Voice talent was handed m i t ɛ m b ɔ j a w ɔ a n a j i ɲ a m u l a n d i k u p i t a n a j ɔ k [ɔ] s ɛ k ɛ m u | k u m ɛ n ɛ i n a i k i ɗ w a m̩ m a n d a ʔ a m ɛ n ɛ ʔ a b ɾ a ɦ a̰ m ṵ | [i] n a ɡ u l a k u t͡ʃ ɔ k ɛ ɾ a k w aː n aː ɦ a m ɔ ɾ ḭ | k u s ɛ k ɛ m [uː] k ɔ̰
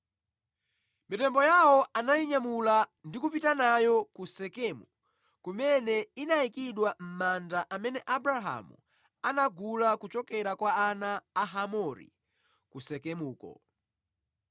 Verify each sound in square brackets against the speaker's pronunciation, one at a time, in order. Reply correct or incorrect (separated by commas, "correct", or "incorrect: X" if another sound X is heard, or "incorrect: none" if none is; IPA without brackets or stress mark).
incorrect: u, incorrect: a, correct